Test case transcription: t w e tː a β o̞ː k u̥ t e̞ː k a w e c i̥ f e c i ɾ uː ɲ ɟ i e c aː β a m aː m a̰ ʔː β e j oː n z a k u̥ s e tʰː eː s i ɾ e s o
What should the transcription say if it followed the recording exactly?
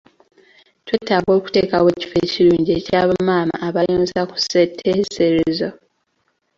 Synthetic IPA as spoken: t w e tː a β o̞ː k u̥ t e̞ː k a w e c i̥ f e c i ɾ uː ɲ ɟ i e c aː β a m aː m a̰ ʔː β a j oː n z a k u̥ s e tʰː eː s e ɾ e z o